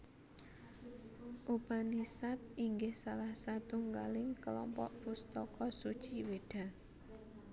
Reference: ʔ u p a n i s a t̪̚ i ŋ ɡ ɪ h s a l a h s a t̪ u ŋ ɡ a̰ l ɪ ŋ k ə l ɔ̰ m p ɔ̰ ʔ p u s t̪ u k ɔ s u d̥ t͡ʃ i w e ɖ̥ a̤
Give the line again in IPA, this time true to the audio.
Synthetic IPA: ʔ u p a n i s a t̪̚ i ŋ ɡ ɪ h s a l a h s a t̪ u ŋ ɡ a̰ l ɪ ŋ k ə l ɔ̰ m p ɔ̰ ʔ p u s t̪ ɔ k ɔ s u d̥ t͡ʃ i w e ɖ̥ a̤